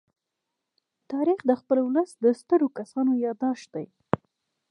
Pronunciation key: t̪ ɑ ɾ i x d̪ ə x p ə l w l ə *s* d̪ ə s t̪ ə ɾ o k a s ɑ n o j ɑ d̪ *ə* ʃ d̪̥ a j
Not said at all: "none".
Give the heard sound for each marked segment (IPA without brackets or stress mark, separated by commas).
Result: s, ɑ